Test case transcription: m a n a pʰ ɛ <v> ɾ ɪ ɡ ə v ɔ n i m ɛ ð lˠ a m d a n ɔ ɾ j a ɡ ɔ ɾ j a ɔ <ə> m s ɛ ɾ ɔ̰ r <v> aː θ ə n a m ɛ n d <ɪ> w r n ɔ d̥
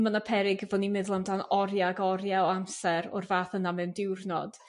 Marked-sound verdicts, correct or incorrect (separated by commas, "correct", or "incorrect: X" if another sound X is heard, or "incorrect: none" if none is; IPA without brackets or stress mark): incorrect: none, incorrect: a, correct, correct